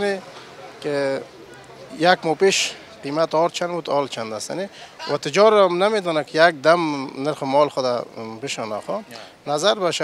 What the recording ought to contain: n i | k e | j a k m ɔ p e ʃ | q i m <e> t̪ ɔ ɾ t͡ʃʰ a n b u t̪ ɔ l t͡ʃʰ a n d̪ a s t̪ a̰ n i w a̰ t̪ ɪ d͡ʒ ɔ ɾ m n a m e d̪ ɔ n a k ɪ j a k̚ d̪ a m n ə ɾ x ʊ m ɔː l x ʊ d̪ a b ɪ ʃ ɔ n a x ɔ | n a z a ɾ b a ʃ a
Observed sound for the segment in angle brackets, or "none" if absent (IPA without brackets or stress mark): a